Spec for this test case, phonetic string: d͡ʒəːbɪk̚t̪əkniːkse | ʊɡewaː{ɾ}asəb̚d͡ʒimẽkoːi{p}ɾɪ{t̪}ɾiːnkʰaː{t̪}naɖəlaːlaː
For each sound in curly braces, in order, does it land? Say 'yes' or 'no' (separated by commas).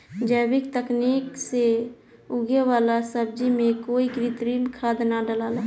no, no, yes, no